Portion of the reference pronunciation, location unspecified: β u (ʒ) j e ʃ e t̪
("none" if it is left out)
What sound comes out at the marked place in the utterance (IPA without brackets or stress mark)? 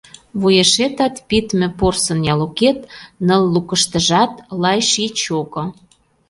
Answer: none